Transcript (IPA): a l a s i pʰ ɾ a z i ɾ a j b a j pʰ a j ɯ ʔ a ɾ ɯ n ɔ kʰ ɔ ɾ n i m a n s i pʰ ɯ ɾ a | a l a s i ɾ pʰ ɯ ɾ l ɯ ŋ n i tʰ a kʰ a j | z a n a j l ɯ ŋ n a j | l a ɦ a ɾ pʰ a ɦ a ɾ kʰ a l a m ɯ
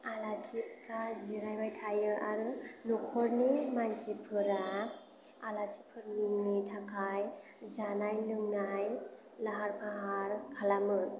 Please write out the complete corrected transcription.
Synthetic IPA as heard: a l a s i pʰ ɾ a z i ɾ a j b a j tʰ a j ɯ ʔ a ɾ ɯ n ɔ kʰ ɔ ɾ n i m a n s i pʰ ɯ ɾ a | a l a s i pʰ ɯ ɾ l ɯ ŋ n i tʰ a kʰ a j | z a n a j l ɯ ŋ n a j | l a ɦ a ɾ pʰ a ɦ a ɾ kʰ a l a m ɯ

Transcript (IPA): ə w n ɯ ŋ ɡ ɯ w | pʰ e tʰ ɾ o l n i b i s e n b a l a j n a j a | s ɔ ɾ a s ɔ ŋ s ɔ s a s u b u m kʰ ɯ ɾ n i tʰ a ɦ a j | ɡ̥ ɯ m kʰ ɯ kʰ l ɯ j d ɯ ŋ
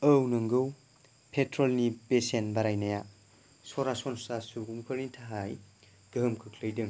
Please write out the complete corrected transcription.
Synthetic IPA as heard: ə w n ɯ ŋ ɡ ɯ w | pʰ e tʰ ɾ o l n i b e s e n b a ɾ a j n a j a | s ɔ ɾ a s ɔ n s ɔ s a s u ɡ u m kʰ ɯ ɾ n i tʰ a ɦ a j | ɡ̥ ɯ m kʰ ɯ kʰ l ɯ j d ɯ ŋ

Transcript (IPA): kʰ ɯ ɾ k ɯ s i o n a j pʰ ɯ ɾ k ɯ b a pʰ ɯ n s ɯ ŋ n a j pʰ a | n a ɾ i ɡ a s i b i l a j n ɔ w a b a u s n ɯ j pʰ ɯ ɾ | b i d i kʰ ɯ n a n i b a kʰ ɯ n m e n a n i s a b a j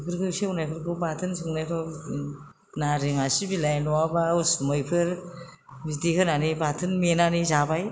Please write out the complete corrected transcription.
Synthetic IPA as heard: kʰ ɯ ɾ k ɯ s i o n a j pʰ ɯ ɾ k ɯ b a tʰ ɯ n s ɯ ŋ n a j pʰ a | n a ɾ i ŋ a s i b i l a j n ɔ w a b a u s m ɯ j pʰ ɯ ɾ | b i d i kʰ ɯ n a n i b a tʰ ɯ n m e n a n i z a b a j

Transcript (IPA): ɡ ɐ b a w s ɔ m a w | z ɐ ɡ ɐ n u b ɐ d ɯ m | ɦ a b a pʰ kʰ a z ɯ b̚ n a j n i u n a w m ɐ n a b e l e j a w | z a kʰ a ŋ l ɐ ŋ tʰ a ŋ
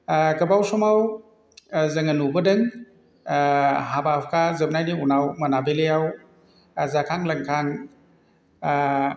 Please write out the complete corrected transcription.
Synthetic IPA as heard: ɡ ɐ b a w s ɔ m a w | z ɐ ŋ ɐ n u b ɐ d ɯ ŋ | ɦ a b a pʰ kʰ a z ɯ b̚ n a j n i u n a w m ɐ n a b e l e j a w | z a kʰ a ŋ l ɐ ŋ kʰ a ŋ

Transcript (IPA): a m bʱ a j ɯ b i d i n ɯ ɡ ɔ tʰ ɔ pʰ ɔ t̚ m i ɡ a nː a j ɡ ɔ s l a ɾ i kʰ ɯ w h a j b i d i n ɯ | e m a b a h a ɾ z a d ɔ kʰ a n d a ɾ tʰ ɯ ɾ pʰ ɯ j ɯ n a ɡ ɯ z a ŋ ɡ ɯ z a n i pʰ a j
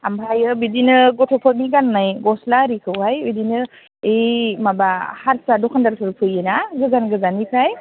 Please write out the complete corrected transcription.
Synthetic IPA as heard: a m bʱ a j ɯ b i d i n ɯ ɡ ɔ tʰ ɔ pʰ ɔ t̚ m i ɡ a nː a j ɡ ɔ s l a ɾ i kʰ ɯ w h a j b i d i n ɯ | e m a b a h a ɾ s a d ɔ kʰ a n d a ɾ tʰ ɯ ɾ pʰ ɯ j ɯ n a ɡ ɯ z a n ɡ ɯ z a n i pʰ a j

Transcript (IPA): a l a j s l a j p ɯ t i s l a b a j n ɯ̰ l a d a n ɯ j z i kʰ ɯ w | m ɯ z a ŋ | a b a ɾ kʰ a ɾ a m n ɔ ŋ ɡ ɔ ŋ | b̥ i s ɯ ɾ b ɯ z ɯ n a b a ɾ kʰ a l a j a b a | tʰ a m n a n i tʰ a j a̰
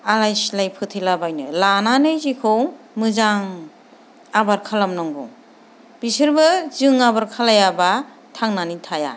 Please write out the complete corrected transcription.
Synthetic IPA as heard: a l a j s l a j pʰ ɯ tʰ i l a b a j n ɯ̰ l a n a n ɯ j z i kʰ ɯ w | m ɯ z a ŋ | a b a ɾ kʰ a l a m n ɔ ŋ ɡ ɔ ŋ | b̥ i s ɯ ɾ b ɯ z ɯ ŋ a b a ɾ kʰ a l a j a b a | tʰ a ŋ n a n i tʰ a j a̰

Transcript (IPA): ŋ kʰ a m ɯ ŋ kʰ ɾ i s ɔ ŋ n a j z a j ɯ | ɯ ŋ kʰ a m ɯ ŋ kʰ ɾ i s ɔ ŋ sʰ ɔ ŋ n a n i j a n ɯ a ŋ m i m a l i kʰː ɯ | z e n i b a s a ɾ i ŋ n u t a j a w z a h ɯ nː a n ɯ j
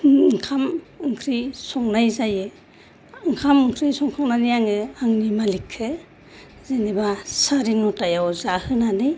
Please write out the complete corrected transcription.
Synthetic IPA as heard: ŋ kʰ a m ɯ ŋ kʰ ɾ i s ɔ ŋ n a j z a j ɯ | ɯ ŋ kʰ a m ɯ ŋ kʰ ɾ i s ɔ ŋ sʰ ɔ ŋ n a n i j a ŋ ɯ a ŋ n i m a l i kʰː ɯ | z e n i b a s a ɾ i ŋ n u t a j a w z a h ɯ n a n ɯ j

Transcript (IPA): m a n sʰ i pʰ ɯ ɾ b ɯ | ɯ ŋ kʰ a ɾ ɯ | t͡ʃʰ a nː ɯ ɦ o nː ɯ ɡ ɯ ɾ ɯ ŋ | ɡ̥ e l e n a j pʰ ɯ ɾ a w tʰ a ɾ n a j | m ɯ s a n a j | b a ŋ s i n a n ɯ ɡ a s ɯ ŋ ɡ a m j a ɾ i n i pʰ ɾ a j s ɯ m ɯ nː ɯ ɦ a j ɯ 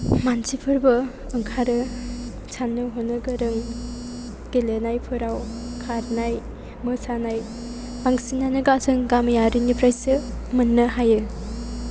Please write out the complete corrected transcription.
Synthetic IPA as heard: m a n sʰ i pʰ ɯ ɾ b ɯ | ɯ ŋ kʰ a ɾ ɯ | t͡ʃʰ a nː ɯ ɦ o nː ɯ ɡ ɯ ɾ ɯ ŋ | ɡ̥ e l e n a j pʰ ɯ ɾ a w kʰ a ɾ n a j | m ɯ s a n a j | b a ŋ s i n a n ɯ ɡ a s ɯ ŋ ɡ a m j a ɾ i n i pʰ ɾ a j s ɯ m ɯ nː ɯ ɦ a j ɯ

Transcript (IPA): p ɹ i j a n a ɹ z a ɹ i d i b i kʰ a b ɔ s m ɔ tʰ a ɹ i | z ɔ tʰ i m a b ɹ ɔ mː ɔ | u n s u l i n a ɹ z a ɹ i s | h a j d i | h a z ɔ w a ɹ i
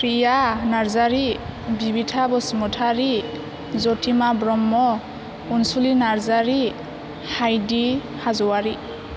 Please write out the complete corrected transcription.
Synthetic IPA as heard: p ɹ i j a n a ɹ z a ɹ i b i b i tʰ a b ɔ s m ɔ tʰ a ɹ i | z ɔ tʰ i m a b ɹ ɔ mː ɔ | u n s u l i n a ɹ z a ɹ i | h a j d i | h a z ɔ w a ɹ i

